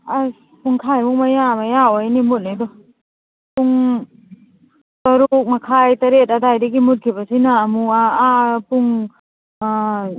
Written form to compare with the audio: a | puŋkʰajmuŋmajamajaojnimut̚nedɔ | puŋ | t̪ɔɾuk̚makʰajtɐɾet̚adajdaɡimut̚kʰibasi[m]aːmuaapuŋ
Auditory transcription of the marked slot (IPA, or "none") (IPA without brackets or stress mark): n